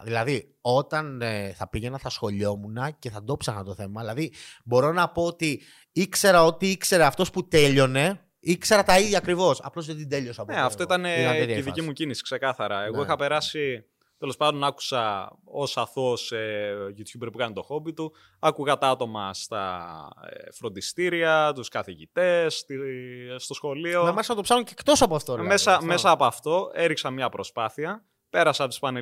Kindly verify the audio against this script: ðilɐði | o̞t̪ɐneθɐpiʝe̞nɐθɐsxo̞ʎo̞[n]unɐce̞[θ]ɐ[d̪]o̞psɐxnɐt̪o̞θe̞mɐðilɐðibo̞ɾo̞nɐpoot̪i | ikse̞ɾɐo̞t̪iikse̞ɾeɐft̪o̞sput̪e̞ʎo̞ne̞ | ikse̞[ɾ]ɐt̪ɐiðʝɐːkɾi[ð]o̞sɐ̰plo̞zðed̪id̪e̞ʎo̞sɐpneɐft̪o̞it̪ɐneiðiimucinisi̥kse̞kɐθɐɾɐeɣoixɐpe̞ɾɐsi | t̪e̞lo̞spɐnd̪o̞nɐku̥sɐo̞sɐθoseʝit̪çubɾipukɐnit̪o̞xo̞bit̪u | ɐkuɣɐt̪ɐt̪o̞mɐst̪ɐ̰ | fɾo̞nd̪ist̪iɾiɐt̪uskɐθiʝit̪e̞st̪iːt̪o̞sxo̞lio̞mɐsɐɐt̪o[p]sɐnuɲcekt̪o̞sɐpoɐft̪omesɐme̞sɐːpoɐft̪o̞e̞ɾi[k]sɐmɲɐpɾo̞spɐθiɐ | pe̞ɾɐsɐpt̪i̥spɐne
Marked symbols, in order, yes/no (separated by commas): no, yes, yes, yes, no, yes, yes